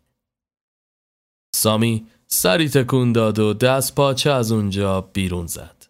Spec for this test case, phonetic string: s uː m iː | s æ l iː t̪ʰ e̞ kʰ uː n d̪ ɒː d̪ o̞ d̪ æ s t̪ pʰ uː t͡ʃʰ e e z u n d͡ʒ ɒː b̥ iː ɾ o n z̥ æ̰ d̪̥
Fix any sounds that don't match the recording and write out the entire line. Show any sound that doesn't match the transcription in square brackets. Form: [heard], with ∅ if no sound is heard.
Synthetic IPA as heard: s [ɒː] m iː | s æ [ɾ] iː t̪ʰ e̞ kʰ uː n d̪ ɒː d̪ o̞ d̪ æ s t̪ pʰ [ɒː] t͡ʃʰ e [æ] z u n d͡ʒ ɒː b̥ iː ɾ [u] n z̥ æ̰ d̪̥